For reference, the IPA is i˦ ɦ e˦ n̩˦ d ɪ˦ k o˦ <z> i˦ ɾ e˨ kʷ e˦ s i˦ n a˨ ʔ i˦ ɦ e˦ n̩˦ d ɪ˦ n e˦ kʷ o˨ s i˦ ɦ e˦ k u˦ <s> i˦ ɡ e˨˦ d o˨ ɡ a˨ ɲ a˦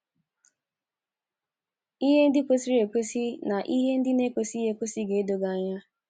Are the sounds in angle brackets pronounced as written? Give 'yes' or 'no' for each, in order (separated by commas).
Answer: no, yes